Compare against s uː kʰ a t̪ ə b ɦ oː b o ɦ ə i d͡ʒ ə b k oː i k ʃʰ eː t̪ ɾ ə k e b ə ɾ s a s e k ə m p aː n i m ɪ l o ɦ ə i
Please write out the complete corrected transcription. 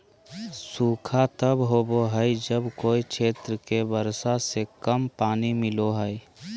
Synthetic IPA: s uː kʰ a t̪ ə b ɦ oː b o ɦ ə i d͡ʒ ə b k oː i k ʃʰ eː t̪ ɾ ə k e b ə ɾ s a s e k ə m p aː n i m ɪ l o ɦ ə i